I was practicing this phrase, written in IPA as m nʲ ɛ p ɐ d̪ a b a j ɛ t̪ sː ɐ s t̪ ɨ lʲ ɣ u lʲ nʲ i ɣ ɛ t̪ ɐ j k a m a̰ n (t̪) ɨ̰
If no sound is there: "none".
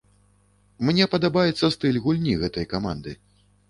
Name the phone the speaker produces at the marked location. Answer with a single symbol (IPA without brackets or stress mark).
d̪